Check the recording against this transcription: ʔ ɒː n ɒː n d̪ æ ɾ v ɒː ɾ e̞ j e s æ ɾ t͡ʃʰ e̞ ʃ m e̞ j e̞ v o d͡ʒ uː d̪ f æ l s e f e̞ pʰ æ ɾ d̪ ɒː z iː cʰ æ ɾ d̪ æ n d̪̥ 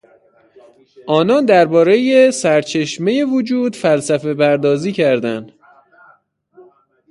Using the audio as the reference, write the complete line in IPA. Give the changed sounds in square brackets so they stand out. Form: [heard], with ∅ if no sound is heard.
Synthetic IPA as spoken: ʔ ɒː n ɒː n d̪ æ ɾ [b] ɒː ɾ e̞ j e s æ ɾ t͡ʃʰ e̞ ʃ m e̞ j e̞ v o d͡ʒ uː d̪ f æ l s [æ] f e̞ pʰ æ ɾ d̪ ɒː z iː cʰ æ ɾ d̪ æ n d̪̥